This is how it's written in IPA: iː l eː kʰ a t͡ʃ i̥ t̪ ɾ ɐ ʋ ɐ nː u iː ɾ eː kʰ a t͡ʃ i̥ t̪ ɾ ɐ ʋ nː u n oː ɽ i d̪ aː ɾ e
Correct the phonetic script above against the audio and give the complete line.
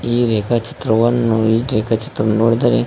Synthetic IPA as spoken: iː ɾ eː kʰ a t͡ʃ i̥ t̪ ɾ ɐ ʋ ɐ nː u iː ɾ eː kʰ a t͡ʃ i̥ t̪ ɾ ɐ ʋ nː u n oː ɽ i d̪ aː ɾ e